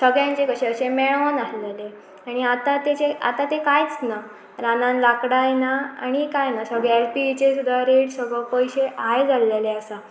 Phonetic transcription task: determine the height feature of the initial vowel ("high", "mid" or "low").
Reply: mid